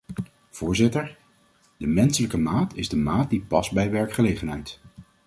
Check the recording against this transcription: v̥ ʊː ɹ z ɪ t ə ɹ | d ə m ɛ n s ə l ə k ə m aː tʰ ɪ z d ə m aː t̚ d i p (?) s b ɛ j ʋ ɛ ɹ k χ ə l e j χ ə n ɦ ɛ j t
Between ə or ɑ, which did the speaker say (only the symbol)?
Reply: ɑ